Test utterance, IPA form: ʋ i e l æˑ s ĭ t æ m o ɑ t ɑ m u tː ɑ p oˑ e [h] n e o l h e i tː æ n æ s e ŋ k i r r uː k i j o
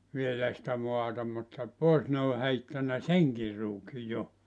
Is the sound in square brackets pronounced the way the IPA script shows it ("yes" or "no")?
no